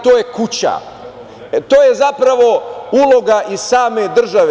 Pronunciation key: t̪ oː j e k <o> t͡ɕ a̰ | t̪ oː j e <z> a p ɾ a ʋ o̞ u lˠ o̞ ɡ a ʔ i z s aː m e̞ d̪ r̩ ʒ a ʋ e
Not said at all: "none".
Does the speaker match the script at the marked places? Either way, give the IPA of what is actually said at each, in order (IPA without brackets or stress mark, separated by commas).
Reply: u, z